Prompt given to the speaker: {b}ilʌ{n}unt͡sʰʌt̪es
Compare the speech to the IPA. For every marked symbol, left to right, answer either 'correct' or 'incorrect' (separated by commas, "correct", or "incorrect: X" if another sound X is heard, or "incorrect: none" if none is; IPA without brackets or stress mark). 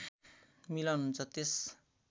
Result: incorrect: m, correct